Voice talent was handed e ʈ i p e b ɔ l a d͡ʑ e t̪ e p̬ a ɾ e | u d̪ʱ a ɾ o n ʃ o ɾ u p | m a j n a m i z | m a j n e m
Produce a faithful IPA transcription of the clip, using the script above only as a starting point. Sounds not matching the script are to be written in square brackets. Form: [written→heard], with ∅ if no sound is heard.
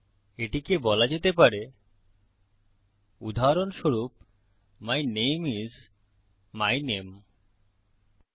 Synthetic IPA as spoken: e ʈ i [p→k] e b ɔ l a d͡ʑ e t̪ e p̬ a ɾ e | u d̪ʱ a ɾ o n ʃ o ɾ u p | m a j n [a→e] m i z | m a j n e m